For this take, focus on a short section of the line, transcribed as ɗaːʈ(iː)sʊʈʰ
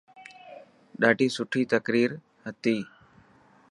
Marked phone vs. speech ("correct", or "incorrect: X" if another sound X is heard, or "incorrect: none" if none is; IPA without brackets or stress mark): correct